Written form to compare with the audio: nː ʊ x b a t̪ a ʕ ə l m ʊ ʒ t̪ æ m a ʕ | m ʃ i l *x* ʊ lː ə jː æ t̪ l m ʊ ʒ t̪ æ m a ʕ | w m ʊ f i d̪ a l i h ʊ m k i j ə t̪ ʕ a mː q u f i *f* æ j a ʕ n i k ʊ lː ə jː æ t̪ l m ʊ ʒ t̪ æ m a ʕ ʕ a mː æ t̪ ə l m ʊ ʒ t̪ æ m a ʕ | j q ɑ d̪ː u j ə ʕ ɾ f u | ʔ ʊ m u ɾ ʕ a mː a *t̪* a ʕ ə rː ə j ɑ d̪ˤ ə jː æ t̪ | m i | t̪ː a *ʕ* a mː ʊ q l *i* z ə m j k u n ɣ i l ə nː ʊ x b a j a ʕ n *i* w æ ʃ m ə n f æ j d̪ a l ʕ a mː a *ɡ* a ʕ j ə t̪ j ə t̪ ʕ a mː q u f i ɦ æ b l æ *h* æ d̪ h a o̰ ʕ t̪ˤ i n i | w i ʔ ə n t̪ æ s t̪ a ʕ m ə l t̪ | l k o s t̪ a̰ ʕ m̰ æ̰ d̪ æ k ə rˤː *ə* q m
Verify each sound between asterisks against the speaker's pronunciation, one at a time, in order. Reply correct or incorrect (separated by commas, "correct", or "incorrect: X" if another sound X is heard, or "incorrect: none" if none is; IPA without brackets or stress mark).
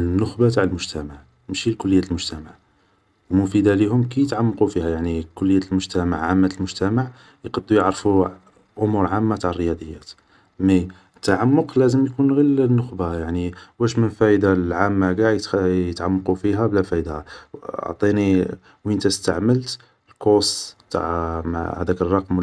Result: incorrect: k, incorrect: h, correct, correct, incorrect: æ, correct, correct, incorrect: f, incorrect: ɑ